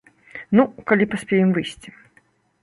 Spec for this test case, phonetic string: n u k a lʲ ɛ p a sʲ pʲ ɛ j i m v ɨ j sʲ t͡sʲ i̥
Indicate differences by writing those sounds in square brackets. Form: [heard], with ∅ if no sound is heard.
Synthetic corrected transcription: n u k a lʲ [i] p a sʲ pʲ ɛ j [ɛ] m v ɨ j sʲ t͡sʲ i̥